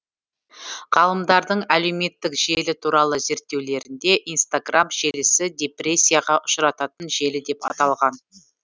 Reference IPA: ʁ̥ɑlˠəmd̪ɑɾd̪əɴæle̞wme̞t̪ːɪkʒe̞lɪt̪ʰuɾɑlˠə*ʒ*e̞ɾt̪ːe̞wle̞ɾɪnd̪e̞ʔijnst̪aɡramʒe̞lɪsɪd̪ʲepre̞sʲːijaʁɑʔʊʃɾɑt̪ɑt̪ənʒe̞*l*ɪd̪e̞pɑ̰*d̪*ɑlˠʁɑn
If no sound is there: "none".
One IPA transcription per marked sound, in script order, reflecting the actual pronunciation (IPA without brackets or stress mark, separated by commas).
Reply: z, l, t̪